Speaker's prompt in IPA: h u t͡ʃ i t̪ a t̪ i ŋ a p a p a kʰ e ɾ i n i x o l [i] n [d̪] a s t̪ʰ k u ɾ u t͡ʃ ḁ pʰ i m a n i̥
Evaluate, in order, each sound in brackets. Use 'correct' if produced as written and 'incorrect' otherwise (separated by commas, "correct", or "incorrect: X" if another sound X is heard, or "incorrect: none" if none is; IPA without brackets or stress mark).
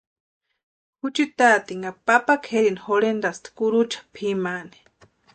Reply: incorrect: e, correct